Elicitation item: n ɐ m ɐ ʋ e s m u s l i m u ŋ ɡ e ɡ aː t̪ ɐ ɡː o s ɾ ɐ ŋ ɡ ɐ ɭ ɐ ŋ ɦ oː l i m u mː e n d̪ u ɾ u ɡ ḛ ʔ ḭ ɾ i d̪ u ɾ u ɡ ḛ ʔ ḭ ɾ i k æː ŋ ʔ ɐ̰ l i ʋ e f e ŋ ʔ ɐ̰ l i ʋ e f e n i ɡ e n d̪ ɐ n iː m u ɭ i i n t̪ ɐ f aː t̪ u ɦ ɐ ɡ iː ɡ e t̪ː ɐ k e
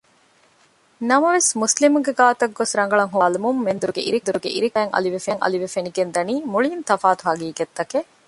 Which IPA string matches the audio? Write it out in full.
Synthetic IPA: n ɐ m ɐ ʋ e s m u s l i m u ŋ ɡ e ɡ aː t̪ ɐ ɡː o s ɾ ɐ ŋ ɡ ɐ ɭ ɐ ŋ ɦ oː l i m u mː e n d̪ u ɾ u ɡ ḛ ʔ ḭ ɾ i d̪ u ɾ u ɡ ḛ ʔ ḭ ɾ i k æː ŋ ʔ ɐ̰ l i ʋ e f e ŋ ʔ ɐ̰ l i ʋ e f e n i ɡ e n d̪ ɐ n iː m u ɭ i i n t̪ ɐ f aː t̪ u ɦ ɐ ɡ iː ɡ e t̪ː ɐ k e